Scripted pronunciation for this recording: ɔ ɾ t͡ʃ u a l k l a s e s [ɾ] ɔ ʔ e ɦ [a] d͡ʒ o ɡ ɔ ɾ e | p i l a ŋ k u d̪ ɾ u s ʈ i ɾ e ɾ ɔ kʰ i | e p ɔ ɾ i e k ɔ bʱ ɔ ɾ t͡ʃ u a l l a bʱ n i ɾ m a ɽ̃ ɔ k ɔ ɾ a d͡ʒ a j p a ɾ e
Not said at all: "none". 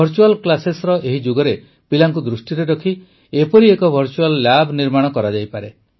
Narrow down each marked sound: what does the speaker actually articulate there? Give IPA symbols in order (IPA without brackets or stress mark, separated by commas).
ɾ, i